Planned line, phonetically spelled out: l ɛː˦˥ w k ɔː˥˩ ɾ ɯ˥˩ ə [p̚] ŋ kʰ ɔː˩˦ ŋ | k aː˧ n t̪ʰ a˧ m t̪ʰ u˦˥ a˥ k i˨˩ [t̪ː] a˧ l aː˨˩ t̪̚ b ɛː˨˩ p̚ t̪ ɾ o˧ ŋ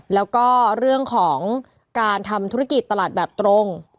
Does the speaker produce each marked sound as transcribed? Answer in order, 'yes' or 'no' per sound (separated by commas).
no, yes